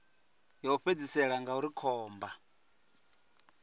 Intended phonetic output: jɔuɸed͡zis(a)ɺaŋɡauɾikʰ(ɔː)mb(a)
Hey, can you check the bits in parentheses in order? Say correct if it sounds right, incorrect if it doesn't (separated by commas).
incorrect, correct, correct